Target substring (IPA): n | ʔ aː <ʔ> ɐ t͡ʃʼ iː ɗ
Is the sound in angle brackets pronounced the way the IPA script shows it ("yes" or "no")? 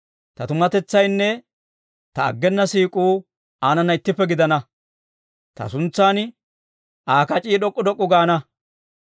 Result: no